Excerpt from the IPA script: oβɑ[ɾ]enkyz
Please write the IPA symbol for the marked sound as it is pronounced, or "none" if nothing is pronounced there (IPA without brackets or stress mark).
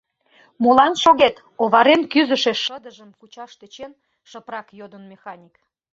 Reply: ɾ